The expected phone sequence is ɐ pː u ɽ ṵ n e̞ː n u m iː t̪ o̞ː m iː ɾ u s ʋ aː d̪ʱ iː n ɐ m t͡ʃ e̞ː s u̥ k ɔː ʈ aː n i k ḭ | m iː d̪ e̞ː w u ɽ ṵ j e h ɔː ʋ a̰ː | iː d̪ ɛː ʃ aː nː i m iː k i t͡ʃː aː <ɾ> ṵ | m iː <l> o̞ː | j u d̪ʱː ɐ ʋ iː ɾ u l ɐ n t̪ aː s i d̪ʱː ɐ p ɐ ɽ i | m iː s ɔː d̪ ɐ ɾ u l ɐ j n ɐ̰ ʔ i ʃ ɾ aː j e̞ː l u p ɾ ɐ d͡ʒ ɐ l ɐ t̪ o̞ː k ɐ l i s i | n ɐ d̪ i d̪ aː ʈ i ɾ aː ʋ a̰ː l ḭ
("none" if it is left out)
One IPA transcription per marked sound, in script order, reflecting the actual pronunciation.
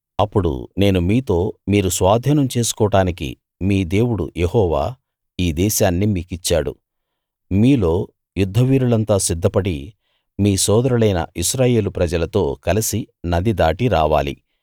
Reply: ɽ, l

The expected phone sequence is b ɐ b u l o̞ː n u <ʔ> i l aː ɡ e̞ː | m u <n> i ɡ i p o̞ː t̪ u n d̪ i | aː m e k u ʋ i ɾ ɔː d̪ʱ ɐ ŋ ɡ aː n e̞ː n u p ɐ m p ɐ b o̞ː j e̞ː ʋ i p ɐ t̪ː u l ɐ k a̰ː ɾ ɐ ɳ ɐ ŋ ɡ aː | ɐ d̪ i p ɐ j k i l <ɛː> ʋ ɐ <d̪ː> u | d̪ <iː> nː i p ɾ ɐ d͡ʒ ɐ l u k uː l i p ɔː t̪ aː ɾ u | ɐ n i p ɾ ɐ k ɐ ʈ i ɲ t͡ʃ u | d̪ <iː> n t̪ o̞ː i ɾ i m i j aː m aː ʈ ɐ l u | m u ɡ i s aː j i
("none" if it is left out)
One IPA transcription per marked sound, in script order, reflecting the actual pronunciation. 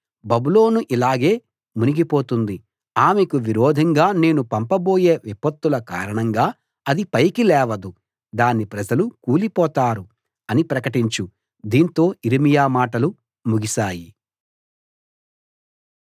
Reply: ʔ, n, ɛː, d̪, aː, iː

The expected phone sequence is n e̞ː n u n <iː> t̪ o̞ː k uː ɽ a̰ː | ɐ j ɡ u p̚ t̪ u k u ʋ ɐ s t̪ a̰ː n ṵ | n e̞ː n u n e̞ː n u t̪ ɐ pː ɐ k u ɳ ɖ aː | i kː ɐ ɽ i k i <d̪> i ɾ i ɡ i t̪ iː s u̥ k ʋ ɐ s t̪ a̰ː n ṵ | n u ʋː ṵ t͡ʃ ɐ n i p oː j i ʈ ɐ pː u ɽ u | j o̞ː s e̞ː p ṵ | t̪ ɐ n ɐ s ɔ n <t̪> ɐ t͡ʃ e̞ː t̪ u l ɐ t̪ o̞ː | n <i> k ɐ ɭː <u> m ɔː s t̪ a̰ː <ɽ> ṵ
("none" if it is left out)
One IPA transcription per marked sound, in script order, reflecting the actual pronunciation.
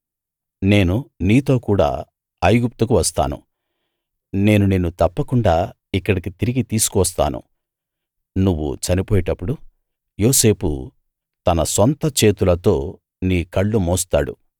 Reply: iː, t̪, t̪, iː, u, ɽ

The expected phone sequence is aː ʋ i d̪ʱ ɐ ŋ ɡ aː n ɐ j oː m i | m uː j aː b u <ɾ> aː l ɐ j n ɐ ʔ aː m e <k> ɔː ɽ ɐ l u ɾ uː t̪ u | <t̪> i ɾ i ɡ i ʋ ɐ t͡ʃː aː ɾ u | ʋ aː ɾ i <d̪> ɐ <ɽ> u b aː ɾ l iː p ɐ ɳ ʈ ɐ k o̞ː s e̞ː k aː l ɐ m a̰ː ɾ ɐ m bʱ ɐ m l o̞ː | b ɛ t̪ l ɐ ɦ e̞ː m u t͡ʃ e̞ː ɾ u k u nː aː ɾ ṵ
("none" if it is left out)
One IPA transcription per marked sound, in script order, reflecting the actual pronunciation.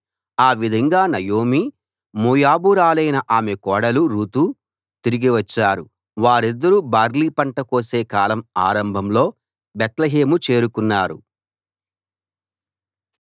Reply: ɾ, k, t̪, d̪ː, ɾ

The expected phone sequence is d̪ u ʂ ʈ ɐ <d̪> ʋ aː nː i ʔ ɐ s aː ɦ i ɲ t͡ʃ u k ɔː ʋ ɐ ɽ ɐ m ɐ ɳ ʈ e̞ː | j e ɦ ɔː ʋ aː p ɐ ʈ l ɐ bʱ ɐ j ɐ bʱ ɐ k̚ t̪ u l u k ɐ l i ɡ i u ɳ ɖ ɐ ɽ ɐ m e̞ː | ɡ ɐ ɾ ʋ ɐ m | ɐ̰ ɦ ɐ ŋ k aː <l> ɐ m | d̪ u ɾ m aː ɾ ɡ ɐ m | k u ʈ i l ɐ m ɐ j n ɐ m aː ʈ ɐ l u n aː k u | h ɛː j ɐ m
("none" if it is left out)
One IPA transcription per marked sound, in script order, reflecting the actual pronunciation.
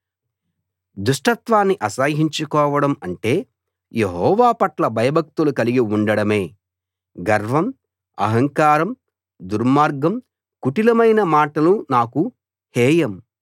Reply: t̪, ɾ

